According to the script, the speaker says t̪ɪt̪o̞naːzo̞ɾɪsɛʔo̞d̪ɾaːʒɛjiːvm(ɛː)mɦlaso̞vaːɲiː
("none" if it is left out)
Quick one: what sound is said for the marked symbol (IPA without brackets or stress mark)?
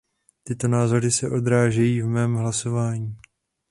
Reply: ɛː